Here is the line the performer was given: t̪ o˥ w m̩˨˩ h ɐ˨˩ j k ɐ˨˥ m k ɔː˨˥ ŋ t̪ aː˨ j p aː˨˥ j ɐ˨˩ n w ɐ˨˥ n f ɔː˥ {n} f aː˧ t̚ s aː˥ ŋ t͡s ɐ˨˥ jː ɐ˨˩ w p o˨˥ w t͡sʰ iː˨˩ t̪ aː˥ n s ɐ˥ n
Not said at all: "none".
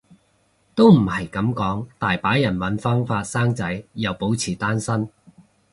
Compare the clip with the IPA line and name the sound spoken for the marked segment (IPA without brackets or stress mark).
ŋ